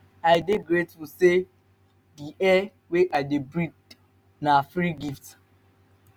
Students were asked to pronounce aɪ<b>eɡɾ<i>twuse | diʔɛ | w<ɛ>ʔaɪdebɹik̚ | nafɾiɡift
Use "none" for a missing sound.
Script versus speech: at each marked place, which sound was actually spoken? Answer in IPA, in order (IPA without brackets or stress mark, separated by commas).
d, e, e